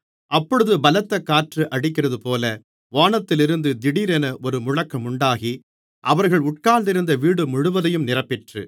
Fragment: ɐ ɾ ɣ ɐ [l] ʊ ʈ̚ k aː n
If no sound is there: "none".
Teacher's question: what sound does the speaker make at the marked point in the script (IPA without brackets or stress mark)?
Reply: ɭ